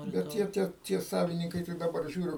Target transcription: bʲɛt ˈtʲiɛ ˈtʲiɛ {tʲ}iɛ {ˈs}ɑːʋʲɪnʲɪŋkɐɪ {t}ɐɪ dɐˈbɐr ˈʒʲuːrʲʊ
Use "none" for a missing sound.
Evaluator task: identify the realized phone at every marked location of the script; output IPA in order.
tʲ, s, t

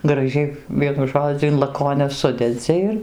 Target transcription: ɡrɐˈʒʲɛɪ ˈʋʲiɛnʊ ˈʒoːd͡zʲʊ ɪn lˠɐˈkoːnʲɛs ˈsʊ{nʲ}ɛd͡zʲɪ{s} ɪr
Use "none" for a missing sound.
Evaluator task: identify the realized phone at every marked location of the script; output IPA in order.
dʲ, none

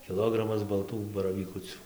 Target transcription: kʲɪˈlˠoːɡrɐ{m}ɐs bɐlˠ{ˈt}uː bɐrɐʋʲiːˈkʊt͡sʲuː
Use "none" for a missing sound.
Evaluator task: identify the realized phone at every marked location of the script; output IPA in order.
m, t

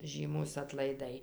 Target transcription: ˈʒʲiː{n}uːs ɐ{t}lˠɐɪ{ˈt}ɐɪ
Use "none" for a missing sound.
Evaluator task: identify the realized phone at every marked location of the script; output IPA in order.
m, t, d

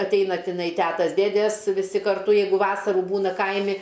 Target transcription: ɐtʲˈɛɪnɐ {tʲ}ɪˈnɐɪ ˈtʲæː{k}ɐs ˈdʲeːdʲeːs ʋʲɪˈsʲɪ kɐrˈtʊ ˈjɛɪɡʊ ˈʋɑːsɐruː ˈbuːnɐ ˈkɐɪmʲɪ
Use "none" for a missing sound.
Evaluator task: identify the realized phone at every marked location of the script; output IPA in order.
tʲ, t

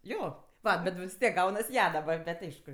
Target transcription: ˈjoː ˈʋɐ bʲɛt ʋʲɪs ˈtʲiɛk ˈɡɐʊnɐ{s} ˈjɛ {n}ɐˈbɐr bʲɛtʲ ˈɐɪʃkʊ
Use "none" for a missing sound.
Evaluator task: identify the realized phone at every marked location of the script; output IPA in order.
s, d

